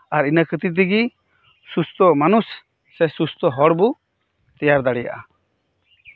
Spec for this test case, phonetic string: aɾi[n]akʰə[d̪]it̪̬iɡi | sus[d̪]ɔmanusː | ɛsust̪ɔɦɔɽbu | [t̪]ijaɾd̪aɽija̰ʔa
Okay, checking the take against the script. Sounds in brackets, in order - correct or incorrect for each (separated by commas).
correct, incorrect, incorrect, correct